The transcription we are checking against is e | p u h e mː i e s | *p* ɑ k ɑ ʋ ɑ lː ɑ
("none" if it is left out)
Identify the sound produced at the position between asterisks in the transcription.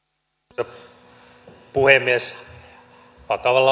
p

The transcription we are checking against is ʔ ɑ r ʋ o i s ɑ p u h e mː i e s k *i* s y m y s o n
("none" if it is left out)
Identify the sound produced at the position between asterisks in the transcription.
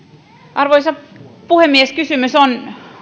y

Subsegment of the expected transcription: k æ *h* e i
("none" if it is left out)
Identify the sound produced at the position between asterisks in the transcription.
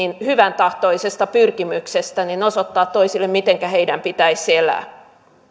h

